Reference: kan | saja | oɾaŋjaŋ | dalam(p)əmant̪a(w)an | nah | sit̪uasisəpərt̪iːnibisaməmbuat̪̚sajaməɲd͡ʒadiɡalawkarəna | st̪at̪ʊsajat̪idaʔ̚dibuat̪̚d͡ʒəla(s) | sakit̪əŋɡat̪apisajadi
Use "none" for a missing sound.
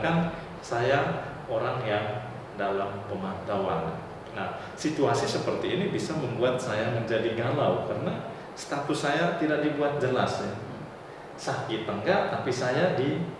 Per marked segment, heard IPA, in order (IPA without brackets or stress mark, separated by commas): p, w, s